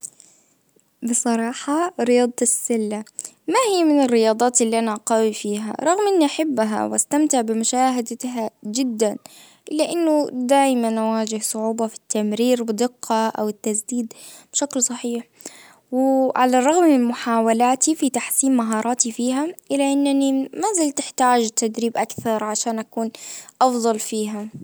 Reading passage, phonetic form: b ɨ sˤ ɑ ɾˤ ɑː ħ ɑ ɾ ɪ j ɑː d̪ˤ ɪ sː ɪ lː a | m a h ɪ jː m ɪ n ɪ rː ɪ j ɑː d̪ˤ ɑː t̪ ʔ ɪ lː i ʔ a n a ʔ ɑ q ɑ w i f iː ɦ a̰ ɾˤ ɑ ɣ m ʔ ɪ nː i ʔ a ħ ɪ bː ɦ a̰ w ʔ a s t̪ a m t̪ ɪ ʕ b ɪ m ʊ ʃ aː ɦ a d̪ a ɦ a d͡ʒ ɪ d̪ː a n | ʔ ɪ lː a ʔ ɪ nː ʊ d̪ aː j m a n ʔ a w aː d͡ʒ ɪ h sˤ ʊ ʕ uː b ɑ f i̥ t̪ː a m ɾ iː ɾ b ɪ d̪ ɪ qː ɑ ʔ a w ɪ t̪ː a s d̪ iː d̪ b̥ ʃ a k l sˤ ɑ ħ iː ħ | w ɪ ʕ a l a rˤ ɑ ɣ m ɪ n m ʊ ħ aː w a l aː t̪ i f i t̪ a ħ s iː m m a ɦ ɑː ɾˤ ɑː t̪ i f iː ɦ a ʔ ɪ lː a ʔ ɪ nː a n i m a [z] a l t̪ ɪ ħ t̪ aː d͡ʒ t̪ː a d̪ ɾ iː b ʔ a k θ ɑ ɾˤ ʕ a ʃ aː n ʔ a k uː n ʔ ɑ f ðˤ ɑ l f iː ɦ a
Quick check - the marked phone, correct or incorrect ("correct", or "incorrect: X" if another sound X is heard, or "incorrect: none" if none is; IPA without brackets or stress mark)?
correct